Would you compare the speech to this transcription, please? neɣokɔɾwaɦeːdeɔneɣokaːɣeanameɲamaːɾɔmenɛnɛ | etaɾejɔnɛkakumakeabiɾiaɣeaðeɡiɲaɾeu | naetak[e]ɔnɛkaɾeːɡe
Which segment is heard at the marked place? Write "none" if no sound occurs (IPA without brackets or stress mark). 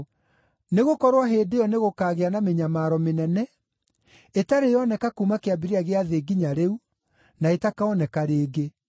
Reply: a